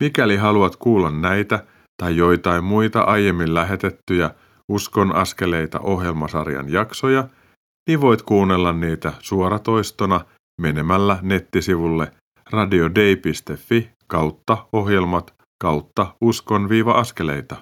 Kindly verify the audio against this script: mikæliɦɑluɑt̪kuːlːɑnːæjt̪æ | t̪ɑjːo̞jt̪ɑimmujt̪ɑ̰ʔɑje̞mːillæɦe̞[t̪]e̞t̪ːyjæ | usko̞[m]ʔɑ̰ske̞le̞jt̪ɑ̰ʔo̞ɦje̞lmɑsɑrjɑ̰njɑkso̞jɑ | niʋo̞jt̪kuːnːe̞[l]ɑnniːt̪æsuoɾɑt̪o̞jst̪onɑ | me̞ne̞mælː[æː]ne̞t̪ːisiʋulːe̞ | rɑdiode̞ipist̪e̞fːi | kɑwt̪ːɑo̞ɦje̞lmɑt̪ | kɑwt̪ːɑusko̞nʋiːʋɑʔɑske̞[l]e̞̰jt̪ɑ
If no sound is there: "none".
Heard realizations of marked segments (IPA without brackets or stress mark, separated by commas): t̪, n, lː, æ, l